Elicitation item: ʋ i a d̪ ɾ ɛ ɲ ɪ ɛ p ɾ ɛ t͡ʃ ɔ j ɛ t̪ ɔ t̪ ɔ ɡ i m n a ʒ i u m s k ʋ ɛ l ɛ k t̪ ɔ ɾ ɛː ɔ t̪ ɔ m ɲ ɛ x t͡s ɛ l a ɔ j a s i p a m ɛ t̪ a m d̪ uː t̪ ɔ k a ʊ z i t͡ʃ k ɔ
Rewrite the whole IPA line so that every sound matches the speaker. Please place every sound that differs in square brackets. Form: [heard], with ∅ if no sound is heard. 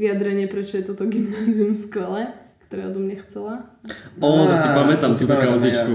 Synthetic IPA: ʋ i a d̪ ɾ ɛ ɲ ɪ ɛ p ɾ ɛ t͡ʃ ɔ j ɛ t̪ ɔ t̪ ɔ ɡ i m n a [z] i u m s k ʋ ɛ l ɛ k t̪ ɔ ɾ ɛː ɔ [d̪] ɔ m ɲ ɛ x t͡s ɛ l a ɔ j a s i p a m ɛ t̪ a m [t̪] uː t̪ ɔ k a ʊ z i t͡ʃ k [u]